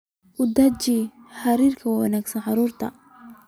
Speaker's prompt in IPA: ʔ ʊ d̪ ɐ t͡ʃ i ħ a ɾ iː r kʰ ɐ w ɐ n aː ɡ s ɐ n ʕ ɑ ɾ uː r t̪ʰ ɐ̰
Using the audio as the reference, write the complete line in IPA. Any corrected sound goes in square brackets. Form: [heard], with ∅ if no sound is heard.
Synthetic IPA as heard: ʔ ʊ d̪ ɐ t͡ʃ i ħ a ɾ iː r kʰ ɐ w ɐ n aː ɡ s ɐ n ʕ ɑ ɾ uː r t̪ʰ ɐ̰